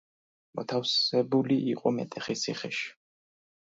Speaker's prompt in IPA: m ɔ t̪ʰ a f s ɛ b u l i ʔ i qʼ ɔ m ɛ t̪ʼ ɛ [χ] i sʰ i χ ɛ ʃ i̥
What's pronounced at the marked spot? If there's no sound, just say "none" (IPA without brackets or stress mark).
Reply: χ